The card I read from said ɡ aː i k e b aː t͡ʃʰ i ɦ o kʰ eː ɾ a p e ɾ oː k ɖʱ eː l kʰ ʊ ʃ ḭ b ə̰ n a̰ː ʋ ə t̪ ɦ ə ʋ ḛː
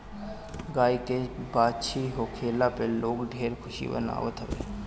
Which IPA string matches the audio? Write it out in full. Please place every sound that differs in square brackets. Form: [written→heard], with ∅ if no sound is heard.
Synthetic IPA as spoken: ɡ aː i k e b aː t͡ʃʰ i ɦ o kʰ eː [ɾ→l] a p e [ɾ→l] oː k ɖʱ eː [l→ɾ] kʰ ʊ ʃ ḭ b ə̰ n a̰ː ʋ ə t̪ ɦ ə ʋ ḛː